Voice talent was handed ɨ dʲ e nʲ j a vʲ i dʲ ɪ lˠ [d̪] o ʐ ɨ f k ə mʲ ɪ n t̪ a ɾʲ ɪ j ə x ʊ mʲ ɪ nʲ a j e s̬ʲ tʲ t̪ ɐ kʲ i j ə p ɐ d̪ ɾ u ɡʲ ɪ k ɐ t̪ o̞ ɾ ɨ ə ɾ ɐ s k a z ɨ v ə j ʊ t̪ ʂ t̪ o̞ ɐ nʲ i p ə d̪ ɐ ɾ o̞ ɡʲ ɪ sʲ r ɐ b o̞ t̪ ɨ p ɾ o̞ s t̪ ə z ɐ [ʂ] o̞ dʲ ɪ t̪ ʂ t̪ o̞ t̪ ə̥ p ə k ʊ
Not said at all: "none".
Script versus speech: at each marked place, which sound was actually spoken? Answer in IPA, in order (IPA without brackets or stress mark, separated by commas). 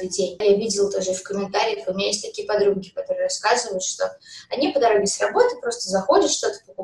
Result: t̪, x